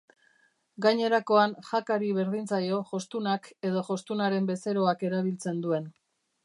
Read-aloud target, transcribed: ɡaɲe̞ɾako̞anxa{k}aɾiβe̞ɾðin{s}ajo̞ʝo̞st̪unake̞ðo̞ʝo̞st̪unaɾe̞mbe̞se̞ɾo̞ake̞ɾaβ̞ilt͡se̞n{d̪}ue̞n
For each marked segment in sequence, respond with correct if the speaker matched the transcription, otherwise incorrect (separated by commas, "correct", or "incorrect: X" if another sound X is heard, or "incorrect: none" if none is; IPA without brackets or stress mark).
correct, incorrect: t͡s, correct